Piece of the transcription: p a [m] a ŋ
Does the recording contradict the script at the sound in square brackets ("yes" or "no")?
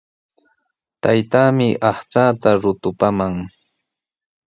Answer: no